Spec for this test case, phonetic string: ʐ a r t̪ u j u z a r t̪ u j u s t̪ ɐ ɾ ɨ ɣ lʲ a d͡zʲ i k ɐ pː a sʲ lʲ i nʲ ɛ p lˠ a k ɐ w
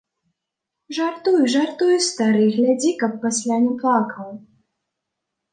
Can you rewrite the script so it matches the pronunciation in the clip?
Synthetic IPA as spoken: ʐ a r t̪ u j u ʐ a r t̪ u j u s t̪ a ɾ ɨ ɣ lʲ a d͡zʲ i k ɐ pː a sʲ lʲ a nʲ ɛ p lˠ a k ɐ w